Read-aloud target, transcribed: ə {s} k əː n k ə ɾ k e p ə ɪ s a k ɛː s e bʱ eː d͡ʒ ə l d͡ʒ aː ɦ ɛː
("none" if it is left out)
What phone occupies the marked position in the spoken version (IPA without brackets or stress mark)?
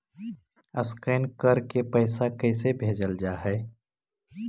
s